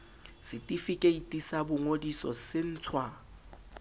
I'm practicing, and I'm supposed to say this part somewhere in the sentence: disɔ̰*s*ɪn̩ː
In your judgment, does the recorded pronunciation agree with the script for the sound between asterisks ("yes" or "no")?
yes